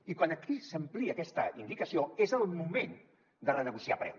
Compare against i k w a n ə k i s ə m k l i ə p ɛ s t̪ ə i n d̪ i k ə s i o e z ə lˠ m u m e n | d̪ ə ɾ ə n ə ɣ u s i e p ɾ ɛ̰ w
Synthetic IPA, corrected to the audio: i k w a n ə k i s ə m p l i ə k ɛ s t̪ ə i n d̪ i k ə s i o e z ə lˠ m u m e n | d̪ ə r ə n ə ɣ u s i a p ɾ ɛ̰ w